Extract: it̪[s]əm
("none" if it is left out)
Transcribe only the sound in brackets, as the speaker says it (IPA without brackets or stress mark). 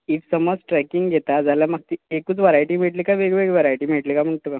s